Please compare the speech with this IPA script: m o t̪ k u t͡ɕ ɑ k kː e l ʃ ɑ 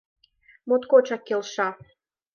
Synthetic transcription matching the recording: m o t̪ k o t͡ɕ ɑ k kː e l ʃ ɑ